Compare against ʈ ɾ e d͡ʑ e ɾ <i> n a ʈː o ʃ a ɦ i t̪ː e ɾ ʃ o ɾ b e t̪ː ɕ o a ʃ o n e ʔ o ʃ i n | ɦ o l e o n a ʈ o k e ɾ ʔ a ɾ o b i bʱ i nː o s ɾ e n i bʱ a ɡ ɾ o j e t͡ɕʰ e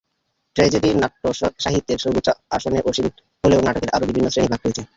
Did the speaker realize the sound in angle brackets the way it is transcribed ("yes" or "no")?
yes